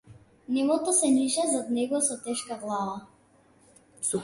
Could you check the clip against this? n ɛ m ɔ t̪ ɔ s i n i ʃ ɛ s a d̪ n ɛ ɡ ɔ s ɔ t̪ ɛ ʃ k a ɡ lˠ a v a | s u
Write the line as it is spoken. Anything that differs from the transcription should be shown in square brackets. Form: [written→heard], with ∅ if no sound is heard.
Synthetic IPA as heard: n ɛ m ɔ t̪ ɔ s [i→ɛ] n i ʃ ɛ [s→z] a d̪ n ɛ ɡ ɔ s ɔ t̪ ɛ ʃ k a ɡ lˠ a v a | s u